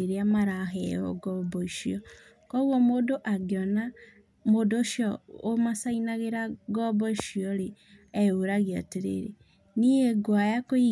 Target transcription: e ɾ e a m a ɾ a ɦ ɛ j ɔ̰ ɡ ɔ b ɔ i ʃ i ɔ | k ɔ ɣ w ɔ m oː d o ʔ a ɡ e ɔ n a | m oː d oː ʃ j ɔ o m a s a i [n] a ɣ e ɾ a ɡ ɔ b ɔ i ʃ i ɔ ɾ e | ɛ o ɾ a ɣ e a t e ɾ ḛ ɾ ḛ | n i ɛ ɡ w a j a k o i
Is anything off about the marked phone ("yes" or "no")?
no